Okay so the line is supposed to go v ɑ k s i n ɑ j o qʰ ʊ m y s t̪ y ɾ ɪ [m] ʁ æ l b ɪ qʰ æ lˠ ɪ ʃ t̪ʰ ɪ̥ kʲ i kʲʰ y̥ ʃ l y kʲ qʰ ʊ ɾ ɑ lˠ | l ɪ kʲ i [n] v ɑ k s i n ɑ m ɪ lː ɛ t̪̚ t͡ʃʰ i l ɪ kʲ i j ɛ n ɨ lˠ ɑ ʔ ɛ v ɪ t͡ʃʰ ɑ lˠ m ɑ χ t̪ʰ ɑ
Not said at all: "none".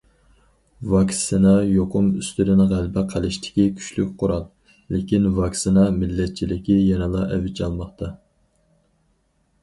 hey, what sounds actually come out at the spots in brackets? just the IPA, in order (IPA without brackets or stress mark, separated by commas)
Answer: n, n